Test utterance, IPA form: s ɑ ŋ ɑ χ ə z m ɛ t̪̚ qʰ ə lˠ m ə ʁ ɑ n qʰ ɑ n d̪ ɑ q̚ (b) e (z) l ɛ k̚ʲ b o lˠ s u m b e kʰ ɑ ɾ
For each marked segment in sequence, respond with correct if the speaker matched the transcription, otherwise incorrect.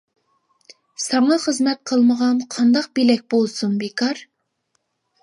correct, incorrect

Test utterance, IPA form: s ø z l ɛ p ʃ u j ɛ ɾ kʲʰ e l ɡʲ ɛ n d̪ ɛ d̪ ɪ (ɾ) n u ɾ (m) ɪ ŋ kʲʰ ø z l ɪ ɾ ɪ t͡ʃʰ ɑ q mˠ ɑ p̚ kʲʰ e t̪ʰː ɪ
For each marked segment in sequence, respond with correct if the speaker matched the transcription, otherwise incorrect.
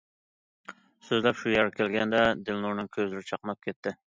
incorrect, incorrect

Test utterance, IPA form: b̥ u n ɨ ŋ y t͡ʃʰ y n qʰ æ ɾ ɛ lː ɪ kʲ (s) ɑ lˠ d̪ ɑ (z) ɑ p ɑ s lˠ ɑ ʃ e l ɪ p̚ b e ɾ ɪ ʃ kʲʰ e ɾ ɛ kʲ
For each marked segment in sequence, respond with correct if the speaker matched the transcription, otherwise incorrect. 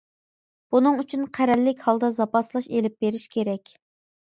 incorrect, correct

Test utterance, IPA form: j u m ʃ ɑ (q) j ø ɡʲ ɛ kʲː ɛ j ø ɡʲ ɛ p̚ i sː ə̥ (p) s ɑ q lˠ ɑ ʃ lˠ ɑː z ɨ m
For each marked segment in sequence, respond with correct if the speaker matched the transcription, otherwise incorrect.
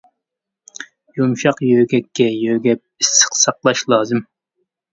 correct, incorrect

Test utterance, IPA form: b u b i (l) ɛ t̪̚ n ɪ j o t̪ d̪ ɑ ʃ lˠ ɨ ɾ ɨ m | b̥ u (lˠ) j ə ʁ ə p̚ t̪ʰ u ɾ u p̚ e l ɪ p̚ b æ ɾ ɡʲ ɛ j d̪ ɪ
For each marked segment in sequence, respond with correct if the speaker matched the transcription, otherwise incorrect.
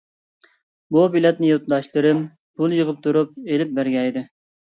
correct, correct

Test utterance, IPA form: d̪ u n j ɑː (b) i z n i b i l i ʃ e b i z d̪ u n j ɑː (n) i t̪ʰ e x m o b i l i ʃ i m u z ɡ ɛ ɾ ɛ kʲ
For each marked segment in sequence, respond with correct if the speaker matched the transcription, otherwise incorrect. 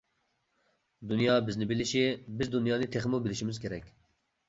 correct, correct

